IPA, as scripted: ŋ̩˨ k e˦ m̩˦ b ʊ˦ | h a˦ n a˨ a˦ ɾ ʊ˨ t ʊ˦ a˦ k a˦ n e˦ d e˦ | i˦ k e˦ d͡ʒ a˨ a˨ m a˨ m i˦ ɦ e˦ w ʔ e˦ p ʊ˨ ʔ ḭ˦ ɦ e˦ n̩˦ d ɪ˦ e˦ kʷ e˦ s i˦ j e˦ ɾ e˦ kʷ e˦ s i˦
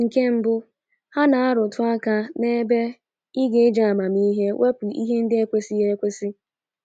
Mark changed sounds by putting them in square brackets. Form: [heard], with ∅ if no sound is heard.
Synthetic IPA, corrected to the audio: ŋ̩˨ k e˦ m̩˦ b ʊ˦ | h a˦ n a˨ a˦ ɾ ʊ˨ t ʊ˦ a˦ k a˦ n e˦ [b] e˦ | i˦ [ɡ] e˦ d͡ʒ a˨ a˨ m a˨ m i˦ ɦ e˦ w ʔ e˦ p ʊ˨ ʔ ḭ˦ ɦ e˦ n̩˦ d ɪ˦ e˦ kʷ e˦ s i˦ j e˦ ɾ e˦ kʷ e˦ s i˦